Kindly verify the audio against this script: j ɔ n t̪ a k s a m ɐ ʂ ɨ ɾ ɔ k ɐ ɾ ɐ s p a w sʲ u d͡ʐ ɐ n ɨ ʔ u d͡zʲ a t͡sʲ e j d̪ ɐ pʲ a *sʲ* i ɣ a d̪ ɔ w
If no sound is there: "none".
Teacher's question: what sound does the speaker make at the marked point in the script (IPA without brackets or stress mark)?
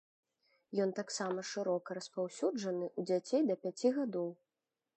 t͡sʲ